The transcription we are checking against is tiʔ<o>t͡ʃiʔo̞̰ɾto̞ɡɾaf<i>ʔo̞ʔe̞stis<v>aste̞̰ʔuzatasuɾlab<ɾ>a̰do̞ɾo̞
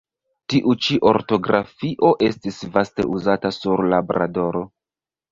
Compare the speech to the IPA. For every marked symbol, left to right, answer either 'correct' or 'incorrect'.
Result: incorrect: u, correct, correct, correct

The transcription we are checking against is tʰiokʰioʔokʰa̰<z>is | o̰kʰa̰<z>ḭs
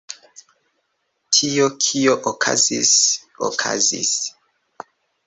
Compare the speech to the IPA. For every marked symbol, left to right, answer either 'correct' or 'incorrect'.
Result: correct, correct

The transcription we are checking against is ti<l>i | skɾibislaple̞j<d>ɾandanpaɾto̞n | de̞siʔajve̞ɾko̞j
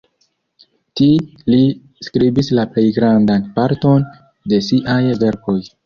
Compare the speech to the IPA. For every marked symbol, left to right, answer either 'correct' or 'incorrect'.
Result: correct, incorrect: ɡ

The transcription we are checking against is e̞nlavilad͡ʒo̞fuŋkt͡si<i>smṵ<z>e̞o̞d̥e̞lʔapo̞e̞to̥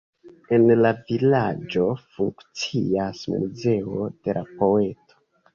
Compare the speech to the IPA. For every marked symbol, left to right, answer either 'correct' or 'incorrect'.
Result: incorrect: a, correct

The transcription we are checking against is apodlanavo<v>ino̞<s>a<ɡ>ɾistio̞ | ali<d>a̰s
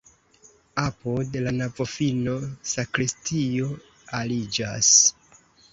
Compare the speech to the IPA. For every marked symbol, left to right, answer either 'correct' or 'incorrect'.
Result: incorrect: f, correct, incorrect: k, incorrect: d͡ʒ

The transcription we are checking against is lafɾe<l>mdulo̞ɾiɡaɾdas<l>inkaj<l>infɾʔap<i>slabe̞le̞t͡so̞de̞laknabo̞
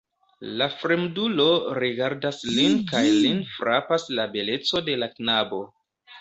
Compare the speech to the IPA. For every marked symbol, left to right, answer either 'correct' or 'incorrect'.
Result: incorrect: none, correct, correct, incorrect: a

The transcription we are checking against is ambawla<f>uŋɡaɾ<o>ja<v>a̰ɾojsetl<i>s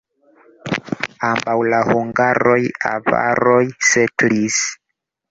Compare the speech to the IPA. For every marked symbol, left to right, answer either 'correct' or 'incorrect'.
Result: incorrect: h, correct, correct, correct

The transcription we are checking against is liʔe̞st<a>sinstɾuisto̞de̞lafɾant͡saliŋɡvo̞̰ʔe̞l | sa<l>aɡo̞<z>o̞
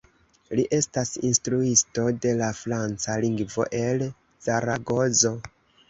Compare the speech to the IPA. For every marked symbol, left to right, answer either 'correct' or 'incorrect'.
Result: correct, incorrect: ɾ, correct

